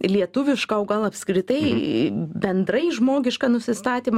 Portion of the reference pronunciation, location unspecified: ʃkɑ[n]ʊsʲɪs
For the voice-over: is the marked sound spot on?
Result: yes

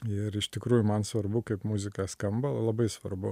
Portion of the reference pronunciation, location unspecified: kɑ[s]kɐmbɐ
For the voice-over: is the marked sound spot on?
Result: yes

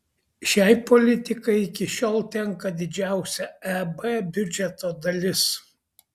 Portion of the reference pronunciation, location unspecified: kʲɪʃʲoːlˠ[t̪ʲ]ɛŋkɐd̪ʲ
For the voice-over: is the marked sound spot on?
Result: yes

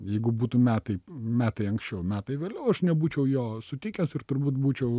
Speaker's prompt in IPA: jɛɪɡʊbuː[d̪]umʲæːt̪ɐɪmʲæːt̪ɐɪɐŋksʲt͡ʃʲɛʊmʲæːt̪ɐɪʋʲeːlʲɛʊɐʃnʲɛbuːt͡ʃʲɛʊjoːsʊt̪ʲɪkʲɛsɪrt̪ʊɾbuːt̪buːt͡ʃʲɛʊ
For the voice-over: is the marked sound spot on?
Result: no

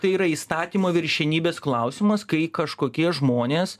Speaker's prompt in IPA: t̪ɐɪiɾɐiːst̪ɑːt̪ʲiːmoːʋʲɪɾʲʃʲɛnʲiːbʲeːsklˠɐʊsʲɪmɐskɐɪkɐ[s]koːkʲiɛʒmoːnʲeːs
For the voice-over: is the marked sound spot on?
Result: no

